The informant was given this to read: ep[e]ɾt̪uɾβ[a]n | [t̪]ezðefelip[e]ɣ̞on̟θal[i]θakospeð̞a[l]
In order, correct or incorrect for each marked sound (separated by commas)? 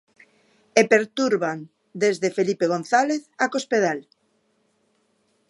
correct, correct, incorrect, correct, incorrect, correct